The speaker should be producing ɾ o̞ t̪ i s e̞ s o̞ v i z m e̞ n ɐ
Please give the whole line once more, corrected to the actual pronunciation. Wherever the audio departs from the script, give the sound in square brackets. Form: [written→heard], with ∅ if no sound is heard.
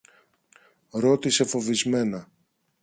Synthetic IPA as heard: ɾ o̞ t̪ i s e̞ [s→f] o̞ v i z m e̞ n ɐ